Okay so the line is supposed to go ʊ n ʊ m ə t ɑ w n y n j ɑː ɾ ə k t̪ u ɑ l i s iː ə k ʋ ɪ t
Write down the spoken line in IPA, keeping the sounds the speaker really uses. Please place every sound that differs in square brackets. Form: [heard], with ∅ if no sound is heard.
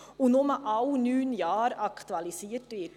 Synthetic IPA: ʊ n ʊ m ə [ʔ] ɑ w n [yː] n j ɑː ɾ [ɑ] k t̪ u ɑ l i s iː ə [t] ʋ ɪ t